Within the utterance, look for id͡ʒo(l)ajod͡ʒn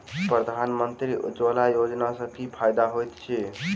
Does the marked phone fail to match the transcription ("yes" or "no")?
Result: no